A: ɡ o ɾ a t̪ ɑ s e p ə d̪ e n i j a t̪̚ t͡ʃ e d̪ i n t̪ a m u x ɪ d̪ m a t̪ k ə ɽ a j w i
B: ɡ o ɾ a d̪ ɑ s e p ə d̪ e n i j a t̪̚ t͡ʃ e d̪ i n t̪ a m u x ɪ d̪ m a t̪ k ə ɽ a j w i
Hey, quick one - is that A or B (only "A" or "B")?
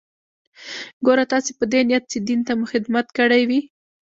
A